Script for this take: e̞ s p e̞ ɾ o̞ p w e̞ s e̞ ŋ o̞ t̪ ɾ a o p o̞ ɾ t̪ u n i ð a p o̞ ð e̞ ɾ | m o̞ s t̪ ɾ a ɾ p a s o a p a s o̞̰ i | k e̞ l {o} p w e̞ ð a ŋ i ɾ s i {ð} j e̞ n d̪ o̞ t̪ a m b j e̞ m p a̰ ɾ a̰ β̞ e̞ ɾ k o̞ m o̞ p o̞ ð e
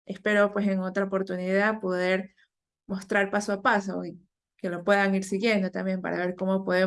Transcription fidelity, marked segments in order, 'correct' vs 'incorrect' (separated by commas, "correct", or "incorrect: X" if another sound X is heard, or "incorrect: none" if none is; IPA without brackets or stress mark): correct, incorrect: ɣ